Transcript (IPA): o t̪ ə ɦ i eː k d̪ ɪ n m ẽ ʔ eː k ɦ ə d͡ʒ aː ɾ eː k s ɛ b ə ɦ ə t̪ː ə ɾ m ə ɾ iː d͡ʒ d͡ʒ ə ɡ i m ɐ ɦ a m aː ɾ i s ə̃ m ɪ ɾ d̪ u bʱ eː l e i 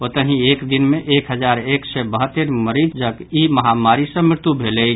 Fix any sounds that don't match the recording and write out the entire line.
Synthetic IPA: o t̪ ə ɦ i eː k d̪ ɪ n m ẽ ʔ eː k ɦ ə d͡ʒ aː ɾ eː k s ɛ b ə ɦ ə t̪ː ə ɾ m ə ɾ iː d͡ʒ d͡ʒ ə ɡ i m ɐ ɦ a m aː ɾ i s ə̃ m ɪ ɾ t̪ u bʱ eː l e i